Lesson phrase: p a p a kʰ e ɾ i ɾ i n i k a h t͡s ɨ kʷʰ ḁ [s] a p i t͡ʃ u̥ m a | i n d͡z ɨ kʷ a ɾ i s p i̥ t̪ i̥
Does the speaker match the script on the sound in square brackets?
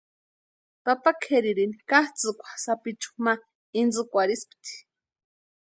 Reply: yes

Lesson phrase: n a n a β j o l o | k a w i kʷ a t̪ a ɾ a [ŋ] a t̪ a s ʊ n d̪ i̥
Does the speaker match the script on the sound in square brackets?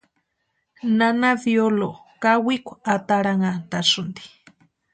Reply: yes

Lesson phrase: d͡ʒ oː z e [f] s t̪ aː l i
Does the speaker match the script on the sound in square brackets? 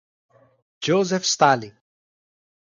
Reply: yes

